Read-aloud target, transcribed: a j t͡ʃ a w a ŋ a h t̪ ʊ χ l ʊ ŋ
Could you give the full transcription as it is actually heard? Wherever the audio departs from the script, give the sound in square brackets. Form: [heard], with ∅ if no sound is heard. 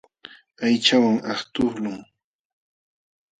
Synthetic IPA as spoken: a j t͡ʃ a w a ŋ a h t̪ ʊ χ l ʊ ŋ